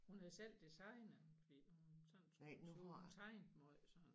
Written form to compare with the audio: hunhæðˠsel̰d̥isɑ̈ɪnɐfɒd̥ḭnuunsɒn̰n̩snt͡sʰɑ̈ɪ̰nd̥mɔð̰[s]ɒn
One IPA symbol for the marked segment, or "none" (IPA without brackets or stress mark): s